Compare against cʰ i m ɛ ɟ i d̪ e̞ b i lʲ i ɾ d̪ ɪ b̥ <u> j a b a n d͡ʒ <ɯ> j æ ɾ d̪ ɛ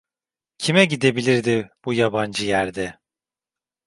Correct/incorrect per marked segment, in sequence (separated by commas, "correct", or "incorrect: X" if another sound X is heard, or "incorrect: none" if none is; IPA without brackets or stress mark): correct, correct